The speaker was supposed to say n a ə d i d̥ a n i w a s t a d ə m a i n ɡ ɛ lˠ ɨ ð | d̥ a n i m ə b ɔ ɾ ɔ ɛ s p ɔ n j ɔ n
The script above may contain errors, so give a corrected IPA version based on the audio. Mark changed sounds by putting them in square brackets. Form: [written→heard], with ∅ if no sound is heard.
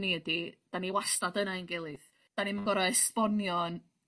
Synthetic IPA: n [a→i] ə d i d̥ a n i w a s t a d ə [m→n] a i n ɡ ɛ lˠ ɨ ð | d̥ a n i m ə [b→ɡ] ɔ ɾ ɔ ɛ s p ɔ n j ɔ n